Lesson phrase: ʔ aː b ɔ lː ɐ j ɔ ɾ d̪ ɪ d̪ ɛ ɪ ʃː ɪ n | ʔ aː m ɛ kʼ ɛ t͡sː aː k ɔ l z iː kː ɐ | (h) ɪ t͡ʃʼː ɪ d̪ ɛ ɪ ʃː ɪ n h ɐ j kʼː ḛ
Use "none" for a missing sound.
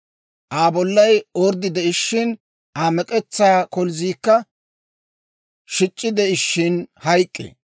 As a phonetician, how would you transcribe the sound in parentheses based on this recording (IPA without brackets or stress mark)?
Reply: ʃ